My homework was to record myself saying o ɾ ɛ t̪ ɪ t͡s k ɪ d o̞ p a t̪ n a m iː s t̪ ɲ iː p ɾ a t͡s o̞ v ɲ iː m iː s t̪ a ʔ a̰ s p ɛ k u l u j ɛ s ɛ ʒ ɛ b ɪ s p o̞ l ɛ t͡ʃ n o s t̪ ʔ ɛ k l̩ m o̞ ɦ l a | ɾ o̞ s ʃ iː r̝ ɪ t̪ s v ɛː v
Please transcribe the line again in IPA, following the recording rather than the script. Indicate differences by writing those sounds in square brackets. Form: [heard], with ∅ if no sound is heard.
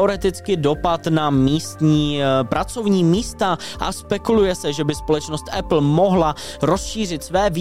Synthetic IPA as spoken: o ɾ ɛ t̪ ɪ t͡s k ɪ d o̞ p a t̪ n a m iː s t̪ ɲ iː p ɾ a t͡s o̞ v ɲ iː m iː s t̪ a ʔ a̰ s p ɛ k u l u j ɛ s ɛ ʒ ɛ b ɪ s p o̞ l ɛ t͡ʃ n o s t̪ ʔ ɛ [p] l̩ m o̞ ɦ l a | ɾ o̞ s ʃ iː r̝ ɪ t̪ s v ɛː v